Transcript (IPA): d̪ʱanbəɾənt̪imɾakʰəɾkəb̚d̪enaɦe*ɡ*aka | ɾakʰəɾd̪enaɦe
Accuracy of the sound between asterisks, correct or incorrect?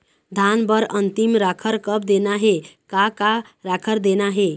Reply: incorrect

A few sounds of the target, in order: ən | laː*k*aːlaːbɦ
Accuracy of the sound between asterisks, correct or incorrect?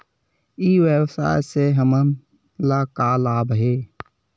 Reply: correct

